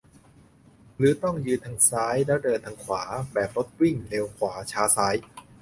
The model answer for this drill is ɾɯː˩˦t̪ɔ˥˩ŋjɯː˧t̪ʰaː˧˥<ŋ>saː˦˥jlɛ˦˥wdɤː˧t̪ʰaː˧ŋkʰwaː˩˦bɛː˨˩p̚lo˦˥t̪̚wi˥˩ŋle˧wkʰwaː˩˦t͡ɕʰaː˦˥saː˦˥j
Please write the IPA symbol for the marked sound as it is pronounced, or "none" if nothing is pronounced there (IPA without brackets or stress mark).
ŋ